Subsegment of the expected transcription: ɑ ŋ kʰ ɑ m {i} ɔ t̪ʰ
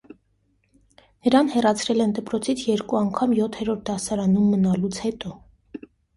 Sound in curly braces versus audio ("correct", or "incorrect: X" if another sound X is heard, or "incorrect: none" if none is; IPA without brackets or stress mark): incorrect: j